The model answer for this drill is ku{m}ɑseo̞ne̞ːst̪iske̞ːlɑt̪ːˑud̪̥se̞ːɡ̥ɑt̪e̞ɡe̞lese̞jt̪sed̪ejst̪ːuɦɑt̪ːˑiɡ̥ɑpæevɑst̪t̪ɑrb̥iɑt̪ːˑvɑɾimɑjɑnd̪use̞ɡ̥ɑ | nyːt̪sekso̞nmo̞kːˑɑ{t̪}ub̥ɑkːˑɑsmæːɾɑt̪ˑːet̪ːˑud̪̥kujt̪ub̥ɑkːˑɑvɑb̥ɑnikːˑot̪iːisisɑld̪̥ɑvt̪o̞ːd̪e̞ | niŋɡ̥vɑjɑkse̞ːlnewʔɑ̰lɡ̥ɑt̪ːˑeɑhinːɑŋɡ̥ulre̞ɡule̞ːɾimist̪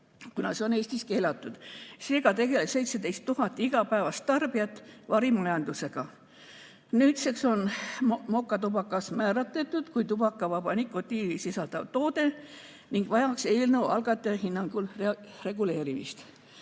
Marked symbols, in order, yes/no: no, yes

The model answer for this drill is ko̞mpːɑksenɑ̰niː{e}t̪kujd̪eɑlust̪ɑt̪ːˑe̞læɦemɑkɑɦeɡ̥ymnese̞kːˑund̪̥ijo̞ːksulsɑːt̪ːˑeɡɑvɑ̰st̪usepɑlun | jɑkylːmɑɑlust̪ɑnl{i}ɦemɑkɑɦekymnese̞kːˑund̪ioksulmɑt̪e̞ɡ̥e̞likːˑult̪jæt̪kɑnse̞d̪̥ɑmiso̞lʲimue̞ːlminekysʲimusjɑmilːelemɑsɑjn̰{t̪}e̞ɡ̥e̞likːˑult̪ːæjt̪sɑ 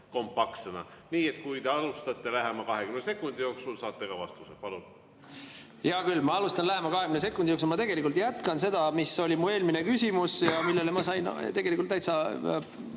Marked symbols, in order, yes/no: yes, no, yes

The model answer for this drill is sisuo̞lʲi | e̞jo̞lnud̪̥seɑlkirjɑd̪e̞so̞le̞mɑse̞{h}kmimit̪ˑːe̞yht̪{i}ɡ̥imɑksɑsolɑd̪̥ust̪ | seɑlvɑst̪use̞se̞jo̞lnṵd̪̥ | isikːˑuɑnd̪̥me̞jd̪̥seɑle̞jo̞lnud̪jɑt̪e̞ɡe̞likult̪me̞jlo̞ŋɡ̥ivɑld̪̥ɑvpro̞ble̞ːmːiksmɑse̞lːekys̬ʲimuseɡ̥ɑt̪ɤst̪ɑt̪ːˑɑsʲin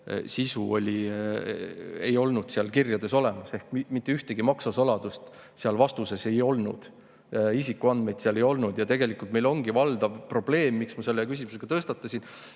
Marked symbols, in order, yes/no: yes, no

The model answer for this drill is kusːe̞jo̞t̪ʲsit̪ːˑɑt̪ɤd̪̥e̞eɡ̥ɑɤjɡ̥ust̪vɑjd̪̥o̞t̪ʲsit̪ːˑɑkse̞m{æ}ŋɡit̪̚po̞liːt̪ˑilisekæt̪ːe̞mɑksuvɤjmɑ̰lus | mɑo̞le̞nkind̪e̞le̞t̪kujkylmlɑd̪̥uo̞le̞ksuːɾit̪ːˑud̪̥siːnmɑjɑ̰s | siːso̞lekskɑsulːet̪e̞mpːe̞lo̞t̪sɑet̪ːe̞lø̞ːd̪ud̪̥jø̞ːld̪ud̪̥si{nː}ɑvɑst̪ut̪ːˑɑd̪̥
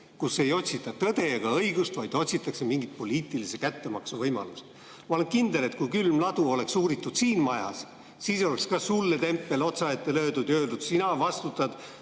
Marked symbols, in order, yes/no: no, no

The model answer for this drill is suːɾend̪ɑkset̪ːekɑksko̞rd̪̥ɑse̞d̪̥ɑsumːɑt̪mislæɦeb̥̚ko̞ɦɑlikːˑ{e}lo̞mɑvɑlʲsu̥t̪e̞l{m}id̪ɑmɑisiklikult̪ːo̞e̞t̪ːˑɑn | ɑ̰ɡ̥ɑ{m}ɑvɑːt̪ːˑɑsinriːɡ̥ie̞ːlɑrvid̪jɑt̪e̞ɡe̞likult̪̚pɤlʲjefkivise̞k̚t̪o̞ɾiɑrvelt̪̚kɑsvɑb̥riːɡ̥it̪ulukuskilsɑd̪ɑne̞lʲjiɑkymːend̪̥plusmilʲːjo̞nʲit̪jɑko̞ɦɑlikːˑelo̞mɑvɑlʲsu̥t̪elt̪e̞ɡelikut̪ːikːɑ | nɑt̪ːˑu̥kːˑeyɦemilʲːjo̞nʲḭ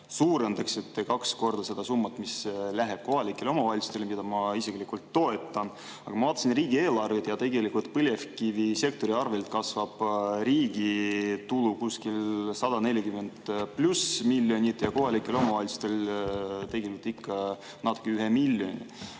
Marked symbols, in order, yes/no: yes, yes, yes

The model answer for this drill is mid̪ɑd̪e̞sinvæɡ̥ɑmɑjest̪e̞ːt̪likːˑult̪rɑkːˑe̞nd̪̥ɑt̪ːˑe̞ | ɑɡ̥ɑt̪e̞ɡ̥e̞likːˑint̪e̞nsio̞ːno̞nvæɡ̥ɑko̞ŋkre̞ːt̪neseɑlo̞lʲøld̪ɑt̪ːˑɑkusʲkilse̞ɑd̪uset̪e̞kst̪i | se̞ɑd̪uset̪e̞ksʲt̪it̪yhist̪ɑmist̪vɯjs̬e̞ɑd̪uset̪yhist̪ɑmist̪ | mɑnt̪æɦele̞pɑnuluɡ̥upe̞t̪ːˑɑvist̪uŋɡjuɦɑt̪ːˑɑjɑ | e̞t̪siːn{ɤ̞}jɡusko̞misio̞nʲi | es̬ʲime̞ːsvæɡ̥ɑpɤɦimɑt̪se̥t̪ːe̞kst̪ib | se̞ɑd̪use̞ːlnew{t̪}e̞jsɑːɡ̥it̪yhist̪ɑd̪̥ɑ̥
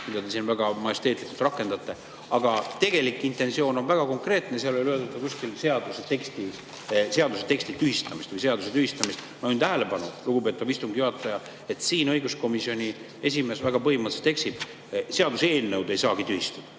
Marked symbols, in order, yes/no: yes, no

